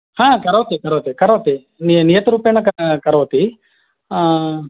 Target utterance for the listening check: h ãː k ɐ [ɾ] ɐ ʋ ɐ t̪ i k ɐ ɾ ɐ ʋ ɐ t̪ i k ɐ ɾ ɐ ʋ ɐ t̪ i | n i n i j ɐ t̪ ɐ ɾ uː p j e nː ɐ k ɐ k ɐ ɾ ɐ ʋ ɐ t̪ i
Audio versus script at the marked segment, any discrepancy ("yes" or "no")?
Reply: no